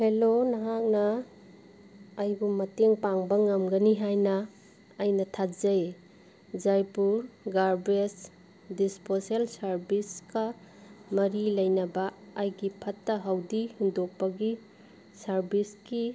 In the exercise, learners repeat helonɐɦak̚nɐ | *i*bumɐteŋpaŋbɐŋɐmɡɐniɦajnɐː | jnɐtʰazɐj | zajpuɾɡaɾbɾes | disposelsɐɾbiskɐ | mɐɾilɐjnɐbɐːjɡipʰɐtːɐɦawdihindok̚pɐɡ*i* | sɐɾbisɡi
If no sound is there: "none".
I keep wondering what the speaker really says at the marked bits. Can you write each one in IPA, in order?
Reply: j, i

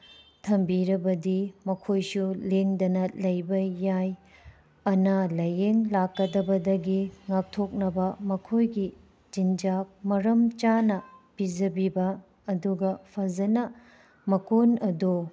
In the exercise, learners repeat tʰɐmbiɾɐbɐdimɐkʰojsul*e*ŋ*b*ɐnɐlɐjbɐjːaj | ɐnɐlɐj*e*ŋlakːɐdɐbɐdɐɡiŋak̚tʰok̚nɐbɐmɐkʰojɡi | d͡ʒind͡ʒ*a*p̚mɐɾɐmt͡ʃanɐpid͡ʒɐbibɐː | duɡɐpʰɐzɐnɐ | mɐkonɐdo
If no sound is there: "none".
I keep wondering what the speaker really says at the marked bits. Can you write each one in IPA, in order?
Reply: e, d, e, a

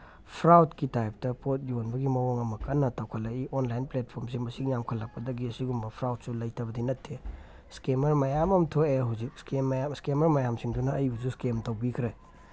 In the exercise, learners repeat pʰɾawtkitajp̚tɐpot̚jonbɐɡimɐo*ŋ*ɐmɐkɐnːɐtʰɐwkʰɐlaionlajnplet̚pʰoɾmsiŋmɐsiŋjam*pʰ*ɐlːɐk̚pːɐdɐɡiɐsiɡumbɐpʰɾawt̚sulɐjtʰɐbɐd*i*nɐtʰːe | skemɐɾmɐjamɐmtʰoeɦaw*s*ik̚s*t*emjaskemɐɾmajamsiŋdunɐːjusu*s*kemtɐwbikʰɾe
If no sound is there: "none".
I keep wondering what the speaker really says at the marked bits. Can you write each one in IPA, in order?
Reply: ŋ, kʰ, i, z, k, s

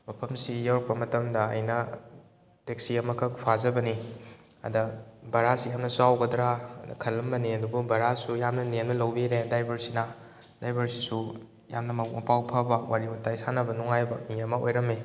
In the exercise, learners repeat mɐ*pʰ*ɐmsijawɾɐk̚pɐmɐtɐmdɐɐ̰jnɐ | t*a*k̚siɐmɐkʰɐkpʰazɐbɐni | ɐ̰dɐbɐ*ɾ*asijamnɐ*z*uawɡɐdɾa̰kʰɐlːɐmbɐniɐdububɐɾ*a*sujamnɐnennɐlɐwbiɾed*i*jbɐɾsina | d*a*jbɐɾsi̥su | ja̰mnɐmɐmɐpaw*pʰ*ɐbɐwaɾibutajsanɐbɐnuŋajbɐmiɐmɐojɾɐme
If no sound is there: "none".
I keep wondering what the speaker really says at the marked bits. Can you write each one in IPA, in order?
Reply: pʰ, e, ɾ, s, a, a, a, pʰ

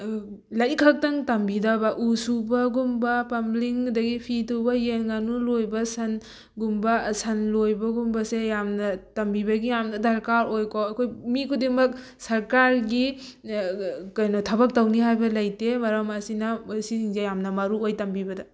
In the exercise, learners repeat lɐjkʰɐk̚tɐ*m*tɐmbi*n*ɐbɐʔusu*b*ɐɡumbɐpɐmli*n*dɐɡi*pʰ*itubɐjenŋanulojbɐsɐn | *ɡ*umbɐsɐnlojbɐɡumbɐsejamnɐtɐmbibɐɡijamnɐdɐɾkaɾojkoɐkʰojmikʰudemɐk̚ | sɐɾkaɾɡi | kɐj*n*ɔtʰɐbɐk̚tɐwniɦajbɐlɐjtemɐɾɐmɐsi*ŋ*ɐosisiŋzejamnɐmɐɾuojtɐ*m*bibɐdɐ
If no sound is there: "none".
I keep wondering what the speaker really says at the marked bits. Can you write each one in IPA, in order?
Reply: ŋ, d, b, ŋ, pʰ, ɡ, n, n, m

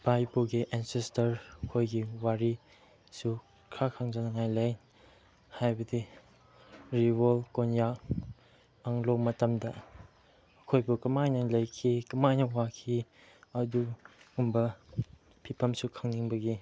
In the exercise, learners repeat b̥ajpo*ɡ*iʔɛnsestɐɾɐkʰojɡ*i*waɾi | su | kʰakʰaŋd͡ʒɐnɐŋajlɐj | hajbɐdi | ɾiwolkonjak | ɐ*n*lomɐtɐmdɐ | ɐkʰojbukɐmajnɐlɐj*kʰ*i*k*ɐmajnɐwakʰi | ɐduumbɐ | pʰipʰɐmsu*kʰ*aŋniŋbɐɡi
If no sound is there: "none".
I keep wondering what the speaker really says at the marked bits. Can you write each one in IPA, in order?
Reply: ɡ, i, ŋ, kʰ, k, kʰ

